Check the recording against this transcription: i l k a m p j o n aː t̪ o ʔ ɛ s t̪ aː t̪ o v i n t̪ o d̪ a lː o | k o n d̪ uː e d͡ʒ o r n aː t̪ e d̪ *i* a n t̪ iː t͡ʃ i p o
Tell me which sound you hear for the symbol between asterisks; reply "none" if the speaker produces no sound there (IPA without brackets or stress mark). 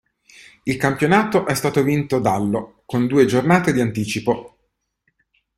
i